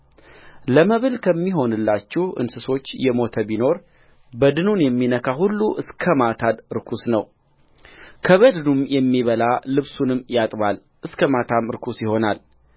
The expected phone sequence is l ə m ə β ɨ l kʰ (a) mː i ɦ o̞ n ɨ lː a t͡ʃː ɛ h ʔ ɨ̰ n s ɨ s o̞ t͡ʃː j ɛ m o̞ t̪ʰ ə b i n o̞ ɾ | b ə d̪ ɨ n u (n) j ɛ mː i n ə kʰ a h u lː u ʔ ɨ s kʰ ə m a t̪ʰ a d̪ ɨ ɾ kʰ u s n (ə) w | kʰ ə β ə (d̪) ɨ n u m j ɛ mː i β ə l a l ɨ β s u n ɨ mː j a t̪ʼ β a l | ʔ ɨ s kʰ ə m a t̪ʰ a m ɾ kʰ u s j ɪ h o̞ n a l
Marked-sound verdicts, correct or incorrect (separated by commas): incorrect, correct, correct, correct